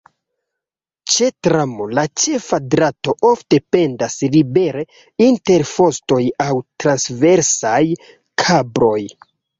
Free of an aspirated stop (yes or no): no